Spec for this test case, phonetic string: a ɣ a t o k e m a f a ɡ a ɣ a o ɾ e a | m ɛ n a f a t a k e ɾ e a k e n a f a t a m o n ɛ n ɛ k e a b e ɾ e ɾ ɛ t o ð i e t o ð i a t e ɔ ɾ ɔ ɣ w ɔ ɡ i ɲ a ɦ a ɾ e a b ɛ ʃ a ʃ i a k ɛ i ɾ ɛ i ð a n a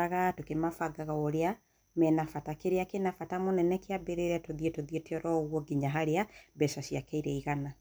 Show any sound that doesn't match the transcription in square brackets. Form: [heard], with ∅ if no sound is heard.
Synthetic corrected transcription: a ɣ a t o k e m a f a ɡ a ɣ a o ɾ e a | m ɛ n a f a t a k e ɾ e a k e n a f a t a m o n ɛ n ɛ k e a b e ɾ e ɾ ɛ t o ð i e t o ð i [e] t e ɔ ɾ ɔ ɣ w ɔ ɡ i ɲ a ɦ a ɾ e a b ɛ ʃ a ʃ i a k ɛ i ɾ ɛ i [ɣ] a n a